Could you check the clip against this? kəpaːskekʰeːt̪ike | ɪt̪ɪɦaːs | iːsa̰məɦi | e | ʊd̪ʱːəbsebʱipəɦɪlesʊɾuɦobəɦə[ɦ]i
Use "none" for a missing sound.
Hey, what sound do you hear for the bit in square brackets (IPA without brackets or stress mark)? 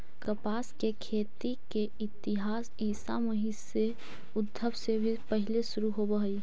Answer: none